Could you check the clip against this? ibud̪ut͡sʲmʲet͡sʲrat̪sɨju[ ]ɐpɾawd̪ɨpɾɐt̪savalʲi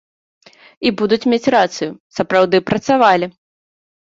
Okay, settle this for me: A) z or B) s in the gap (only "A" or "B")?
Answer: B